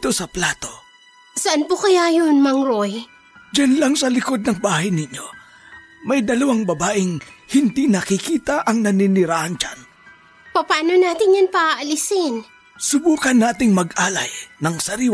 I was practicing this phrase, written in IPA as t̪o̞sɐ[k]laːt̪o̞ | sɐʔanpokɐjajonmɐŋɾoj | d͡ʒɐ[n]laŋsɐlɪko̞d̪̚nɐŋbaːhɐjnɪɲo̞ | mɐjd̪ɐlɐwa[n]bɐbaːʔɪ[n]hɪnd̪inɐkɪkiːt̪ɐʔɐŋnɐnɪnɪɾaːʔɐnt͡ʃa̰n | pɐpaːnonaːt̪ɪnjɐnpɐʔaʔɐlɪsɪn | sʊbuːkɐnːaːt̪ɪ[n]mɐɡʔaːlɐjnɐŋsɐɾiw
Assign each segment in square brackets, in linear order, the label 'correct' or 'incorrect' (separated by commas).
incorrect, correct, incorrect, incorrect, incorrect